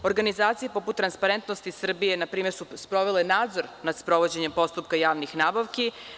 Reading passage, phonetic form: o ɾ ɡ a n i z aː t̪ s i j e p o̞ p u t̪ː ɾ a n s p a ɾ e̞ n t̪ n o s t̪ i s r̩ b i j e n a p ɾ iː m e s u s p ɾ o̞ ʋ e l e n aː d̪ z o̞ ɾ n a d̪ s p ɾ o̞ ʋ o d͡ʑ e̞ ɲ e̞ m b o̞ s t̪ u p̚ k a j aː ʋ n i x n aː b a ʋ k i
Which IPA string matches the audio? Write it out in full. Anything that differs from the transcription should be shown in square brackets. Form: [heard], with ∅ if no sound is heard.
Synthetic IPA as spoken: o ɾ ɡ a n i z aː t̪ s i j e p o̞ p u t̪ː ɾ a n s p a ɾ e̞ n t̪ n o s t̪ i s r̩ b i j e n a p ɾ iː m e s u s p ɾ o̞ ʋ e l e n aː d̪ z o̞ ɾ n a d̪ s p ɾ o̞ ʋ o d͡ʑ e̞ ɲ e̞ m [p] o̞ s t̪ u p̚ k a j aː ʋ n i x n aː b a ʋ k i